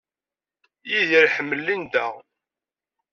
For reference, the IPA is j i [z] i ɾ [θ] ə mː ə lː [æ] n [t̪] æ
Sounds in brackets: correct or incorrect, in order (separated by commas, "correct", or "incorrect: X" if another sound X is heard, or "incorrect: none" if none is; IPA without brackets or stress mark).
incorrect: ð, incorrect: ħ, incorrect: i, incorrect: d̪